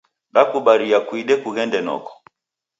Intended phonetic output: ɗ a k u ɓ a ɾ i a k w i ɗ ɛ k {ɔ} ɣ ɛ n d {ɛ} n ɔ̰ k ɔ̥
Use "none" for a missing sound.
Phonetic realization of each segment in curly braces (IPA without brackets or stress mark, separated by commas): u, ɛ